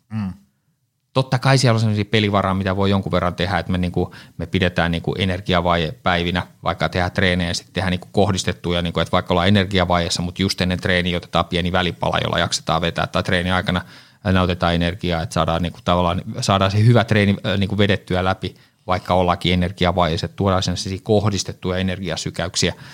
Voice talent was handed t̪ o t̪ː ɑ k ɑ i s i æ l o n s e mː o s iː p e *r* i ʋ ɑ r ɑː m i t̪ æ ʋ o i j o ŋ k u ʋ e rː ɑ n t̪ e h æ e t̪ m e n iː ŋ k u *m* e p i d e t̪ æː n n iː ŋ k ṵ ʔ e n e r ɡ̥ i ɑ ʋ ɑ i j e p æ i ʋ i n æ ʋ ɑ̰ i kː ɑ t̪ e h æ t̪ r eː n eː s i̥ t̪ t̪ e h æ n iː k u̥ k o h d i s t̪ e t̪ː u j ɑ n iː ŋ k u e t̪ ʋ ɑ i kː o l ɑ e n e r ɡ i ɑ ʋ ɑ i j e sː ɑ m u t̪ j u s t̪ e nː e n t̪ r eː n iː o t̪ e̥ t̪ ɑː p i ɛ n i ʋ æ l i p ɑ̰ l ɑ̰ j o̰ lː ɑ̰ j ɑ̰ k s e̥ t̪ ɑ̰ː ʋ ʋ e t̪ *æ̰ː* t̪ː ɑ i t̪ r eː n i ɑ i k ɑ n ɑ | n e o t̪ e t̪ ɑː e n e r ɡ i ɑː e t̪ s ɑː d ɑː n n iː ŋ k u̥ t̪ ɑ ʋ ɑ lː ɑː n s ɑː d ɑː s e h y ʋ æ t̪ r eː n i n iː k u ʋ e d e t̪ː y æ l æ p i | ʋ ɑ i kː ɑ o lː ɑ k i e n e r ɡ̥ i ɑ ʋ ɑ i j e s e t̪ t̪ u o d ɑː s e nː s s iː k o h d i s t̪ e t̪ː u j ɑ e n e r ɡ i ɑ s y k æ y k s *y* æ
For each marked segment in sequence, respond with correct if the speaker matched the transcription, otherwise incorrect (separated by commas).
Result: incorrect, correct, correct, incorrect